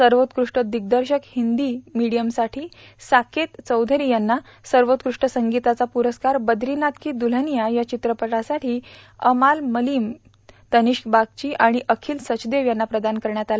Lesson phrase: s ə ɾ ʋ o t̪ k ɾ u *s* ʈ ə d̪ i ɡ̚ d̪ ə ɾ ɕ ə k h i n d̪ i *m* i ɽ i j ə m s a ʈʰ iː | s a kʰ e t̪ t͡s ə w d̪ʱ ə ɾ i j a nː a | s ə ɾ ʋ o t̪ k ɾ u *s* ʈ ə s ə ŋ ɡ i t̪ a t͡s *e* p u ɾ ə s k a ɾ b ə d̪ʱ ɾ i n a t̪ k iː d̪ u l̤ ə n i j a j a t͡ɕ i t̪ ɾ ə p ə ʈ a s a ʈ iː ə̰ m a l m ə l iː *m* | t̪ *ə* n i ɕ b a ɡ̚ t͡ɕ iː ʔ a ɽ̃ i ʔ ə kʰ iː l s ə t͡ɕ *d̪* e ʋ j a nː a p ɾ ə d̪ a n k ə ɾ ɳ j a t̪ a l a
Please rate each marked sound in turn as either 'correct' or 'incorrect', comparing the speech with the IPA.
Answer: incorrect, correct, incorrect, incorrect, correct, correct, correct

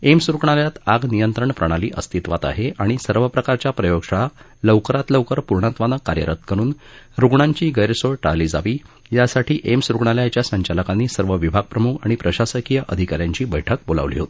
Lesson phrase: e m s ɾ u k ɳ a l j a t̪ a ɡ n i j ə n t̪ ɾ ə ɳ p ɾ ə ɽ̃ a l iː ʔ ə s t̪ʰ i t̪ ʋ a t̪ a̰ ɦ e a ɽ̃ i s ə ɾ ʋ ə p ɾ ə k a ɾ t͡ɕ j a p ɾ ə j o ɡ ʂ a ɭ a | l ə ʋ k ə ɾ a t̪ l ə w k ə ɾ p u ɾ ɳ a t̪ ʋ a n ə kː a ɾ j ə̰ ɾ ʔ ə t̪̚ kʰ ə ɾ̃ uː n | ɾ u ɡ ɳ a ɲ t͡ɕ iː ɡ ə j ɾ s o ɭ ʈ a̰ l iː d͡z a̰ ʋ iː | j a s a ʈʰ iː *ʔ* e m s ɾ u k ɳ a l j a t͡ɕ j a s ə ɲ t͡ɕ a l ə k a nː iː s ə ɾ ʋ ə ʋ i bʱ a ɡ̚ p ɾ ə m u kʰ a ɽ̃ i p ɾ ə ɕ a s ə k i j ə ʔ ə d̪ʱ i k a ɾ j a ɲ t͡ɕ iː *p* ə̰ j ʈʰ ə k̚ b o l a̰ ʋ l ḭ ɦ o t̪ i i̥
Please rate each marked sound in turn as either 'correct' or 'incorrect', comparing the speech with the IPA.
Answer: correct, incorrect

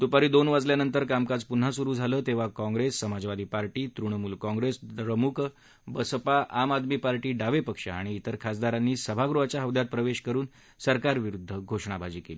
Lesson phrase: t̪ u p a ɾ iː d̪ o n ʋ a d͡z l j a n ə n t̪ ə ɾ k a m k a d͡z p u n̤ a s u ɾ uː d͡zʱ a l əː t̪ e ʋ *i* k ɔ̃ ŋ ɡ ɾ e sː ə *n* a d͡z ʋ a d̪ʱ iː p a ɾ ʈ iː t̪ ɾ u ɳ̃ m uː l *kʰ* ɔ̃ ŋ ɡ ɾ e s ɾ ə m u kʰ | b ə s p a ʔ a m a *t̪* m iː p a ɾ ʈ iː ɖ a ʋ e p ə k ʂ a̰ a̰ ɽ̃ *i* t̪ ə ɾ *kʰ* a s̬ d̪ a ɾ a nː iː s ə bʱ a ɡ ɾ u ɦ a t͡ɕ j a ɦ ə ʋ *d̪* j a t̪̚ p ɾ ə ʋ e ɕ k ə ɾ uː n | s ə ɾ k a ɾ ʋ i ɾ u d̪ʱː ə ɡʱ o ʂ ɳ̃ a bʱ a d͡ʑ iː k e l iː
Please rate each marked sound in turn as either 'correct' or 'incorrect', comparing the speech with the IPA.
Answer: incorrect, incorrect, incorrect, incorrect, incorrect, correct, correct

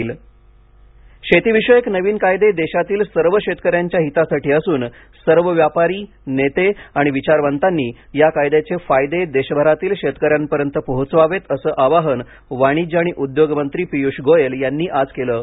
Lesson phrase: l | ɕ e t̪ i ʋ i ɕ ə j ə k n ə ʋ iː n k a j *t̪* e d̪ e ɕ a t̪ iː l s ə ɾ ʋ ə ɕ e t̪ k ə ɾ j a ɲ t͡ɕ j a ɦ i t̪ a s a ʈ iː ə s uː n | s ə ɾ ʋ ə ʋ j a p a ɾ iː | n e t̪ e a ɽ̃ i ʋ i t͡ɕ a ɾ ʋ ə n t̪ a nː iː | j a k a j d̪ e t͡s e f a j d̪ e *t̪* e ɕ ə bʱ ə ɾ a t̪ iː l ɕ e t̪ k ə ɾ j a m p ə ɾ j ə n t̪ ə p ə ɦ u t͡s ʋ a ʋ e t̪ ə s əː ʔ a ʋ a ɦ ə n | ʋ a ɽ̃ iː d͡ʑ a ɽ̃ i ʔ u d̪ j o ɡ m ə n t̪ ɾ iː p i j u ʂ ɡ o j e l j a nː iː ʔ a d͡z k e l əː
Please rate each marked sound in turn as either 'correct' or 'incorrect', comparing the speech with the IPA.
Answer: incorrect, incorrect

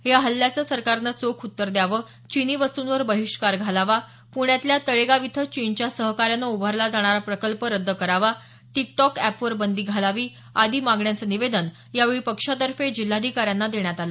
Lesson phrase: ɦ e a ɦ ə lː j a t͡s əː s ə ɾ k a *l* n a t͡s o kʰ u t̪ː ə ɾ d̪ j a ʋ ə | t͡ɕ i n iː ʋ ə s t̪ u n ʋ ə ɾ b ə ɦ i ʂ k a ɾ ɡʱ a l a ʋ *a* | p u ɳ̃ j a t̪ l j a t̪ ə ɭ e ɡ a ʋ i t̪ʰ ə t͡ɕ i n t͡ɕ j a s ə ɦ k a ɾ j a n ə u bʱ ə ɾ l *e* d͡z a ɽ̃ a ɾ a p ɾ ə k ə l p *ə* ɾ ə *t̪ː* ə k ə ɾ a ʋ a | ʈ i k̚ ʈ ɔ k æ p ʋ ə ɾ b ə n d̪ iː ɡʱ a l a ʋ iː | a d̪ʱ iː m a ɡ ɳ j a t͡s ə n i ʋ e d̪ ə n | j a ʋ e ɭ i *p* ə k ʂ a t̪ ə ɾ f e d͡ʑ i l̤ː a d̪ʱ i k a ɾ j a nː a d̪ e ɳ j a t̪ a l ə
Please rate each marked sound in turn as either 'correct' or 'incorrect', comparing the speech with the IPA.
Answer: incorrect, correct, incorrect, correct, incorrect, correct

